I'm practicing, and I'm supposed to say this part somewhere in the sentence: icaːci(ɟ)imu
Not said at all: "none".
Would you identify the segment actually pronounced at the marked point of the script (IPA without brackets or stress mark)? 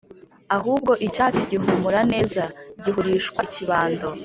ɟ